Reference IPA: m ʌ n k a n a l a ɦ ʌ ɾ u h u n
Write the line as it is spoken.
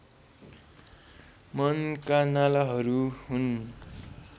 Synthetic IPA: m ʌ n k a n a l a ɦ ʌ ɾ u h u n